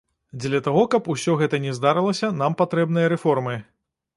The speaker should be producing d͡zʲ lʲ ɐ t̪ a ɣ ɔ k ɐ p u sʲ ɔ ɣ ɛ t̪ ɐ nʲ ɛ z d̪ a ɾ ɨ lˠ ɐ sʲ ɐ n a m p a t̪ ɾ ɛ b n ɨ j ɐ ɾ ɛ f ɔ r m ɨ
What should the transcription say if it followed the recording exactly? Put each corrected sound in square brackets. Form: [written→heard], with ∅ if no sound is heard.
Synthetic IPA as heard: d͡zʲ lʲ ɐ t̪ a ɣ ɔ k ɐ p u sʲ ɔ ɣ ɛ t̪ ɐ nʲ ɛ z d̪ a ɾ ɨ lˠ ɐ sʲ ɐ n a m p a t̪ ɾ ɛ b n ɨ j ɐ ɾ ɛ f ɔ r m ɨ